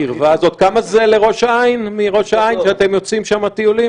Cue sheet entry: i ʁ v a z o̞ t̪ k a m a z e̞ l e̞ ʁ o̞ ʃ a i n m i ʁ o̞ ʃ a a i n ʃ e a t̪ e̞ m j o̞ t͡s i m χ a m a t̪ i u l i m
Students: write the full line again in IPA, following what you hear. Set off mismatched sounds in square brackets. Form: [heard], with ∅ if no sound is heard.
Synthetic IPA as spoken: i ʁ v a z o̞ t̪ k a m a z e̞ l e̞ ʁ o̞ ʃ a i n m i ʁ o̞ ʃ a a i n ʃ e a t̪ e̞ m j o̞ t͡s i m [ʃ] a m a t̪ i u l i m